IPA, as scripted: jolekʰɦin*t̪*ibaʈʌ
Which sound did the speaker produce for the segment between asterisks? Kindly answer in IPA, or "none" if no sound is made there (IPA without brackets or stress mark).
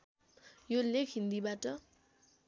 d̪